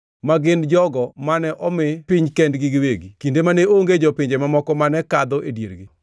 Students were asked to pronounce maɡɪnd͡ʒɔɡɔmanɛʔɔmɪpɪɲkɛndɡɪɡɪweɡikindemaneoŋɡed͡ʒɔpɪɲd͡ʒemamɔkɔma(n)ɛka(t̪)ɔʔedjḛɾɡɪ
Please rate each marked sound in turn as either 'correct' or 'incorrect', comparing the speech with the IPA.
correct, incorrect: d̪

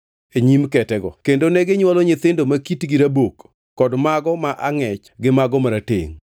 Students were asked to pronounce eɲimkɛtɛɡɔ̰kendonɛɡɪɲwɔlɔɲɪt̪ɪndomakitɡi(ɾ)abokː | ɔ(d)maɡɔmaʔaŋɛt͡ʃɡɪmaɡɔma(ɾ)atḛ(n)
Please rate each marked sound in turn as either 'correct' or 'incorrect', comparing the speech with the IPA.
correct, correct, correct, incorrect: ŋ

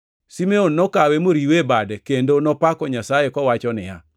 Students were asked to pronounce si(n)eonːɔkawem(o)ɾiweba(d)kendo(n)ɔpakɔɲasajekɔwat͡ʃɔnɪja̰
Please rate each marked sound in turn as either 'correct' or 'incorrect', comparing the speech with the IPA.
incorrect: m, correct, correct, correct

